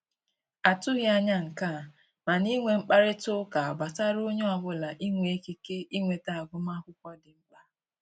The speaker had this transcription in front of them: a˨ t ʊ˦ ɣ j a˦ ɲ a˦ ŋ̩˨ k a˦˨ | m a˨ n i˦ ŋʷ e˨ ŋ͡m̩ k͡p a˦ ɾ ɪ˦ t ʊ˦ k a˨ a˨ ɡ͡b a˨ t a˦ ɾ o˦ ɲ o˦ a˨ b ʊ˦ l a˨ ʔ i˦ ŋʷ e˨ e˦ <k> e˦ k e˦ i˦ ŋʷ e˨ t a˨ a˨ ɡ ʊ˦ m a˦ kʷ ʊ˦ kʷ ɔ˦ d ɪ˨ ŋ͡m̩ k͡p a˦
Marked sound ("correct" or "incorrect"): correct